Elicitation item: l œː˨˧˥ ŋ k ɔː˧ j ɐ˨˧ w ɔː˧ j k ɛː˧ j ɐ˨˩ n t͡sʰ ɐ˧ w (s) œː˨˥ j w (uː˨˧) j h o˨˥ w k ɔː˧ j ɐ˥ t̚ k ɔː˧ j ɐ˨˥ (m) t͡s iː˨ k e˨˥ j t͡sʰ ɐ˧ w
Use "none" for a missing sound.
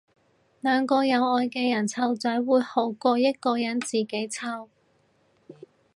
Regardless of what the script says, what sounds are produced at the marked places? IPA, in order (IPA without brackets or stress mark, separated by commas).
t͡s, uː˨˧, n